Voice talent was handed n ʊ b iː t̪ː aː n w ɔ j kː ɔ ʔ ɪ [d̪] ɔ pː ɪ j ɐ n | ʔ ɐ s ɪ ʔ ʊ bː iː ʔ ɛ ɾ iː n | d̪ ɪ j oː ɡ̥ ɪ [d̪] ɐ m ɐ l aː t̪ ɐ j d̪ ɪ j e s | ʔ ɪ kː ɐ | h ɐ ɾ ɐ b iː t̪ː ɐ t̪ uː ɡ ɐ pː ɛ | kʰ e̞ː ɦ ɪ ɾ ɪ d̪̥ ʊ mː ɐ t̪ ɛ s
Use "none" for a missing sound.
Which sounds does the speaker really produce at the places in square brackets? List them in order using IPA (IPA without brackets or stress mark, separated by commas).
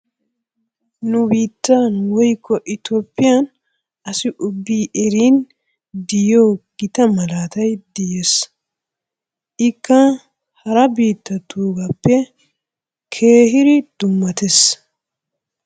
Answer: t̪, t̪